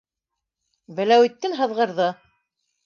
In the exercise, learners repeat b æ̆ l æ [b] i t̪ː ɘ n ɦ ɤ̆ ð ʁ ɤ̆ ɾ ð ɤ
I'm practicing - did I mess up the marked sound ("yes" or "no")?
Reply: yes